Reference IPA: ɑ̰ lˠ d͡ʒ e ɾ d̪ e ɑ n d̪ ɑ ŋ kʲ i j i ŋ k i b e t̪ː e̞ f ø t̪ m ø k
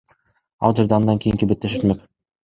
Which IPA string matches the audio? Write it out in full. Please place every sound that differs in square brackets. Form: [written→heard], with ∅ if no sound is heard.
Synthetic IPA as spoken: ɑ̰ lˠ d͡ʒ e ɾ d̪ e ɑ n d̪ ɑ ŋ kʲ i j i ŋ k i b e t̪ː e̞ [f→ʃ] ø t̪ m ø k